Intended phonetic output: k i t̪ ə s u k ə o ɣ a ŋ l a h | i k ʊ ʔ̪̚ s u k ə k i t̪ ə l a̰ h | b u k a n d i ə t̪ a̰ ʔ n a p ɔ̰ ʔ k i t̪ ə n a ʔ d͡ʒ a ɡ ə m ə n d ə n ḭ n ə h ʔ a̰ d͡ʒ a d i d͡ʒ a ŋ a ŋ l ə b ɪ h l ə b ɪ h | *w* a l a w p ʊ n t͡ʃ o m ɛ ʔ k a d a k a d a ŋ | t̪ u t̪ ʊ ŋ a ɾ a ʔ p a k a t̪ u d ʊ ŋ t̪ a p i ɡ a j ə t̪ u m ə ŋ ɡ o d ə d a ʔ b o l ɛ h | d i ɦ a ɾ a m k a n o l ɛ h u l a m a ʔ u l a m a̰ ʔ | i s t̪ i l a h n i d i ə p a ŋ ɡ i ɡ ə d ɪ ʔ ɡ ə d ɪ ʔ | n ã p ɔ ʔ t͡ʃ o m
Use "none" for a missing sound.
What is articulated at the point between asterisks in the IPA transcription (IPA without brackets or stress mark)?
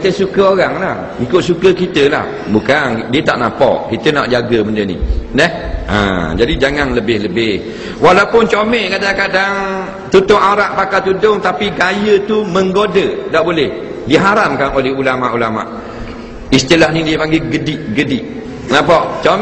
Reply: w